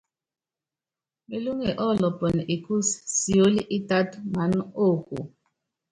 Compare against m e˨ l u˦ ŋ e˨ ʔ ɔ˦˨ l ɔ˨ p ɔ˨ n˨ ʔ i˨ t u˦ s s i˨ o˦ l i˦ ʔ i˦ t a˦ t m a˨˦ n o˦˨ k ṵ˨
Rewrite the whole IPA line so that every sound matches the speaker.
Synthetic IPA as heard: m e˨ l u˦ ŋ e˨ ʔ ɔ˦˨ l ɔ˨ p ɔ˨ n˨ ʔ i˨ k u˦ s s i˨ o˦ l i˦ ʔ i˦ t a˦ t m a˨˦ n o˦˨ k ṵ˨